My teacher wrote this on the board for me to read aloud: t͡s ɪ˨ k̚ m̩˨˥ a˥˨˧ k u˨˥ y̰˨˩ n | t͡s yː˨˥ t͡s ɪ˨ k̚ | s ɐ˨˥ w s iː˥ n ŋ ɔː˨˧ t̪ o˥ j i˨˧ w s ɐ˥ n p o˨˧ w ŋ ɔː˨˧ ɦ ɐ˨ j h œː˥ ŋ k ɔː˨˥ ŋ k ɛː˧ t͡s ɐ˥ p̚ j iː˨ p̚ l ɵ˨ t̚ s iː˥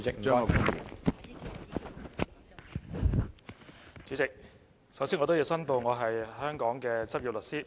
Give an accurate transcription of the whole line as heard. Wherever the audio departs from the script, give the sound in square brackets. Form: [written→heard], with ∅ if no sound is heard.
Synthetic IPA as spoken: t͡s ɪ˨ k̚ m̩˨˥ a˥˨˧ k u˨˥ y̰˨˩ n | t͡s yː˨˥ t͡s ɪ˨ k̚ | s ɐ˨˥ w s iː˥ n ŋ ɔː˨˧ t̪ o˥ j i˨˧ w s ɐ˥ n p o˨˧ w ŋ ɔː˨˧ ɦ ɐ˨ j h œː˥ ŋ k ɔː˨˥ ŋ k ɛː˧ t͡s ɐ˥ p̚ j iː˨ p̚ l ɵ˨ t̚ s iː˥